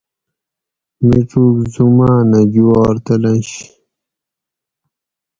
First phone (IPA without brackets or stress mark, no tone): m